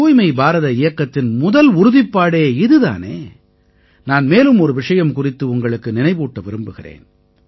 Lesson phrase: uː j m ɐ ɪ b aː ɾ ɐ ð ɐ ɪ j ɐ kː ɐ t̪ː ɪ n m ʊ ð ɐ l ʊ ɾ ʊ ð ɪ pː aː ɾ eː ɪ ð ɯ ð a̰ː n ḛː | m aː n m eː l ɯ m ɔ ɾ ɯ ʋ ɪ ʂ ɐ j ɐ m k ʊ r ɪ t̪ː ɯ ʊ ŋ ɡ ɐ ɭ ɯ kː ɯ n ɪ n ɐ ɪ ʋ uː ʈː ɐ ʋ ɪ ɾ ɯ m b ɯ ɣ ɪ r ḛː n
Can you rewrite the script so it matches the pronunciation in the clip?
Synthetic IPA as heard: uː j m ɐ ɪ b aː ɾ ɐ ð ɐ ɪ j ɐ kː ɐ t̪ː ɪ n m ʊ ð ɐ l ʊ ɾ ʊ ð ɪ pː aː ɽ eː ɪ ð ɯ ð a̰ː n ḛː | n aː n m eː l ɯ m ɔ ɾ ɯ ʋ ɪ ʂ ɐ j ɐ m k ʊ r ɪ t̪ː ɯ ʊ ŋ ɡ ɐ ɭ ɯ kː ɯ n ɪ n ɐ ɪ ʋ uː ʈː ɐ ʋ ɪ ɾ ɯ m b ɯ ɣ ɪ r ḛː n

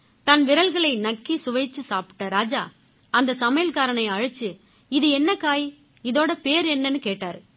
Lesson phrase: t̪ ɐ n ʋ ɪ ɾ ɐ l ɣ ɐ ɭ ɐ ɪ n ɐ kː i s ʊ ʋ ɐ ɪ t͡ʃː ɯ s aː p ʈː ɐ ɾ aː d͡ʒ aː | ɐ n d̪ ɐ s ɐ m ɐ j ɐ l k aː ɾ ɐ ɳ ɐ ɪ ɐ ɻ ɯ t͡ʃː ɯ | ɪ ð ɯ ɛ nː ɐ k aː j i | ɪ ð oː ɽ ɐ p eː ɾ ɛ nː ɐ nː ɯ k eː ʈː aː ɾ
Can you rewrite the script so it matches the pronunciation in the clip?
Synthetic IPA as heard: t̪ ɐ n ʋ ɪ ɾ ɐ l ɣ ɐ ɭ ɐ ɪ n ɐ kː i s ʊ ʋ ɐ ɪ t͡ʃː ɯ s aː p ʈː ɐ ɾ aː d͡ʒ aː | ɐ n d̪ ɐ s ɐ m ɐ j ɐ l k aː ɾ ɐ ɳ ɐ ɪ ɐ ɻ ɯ t͡ʃː ɯ | ɪ ð ɯ ɛ nː ɐ k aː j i | ɪ ð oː ɽ ɐ p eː ɾ ɛ nː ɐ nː ɯ k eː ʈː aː ɾ

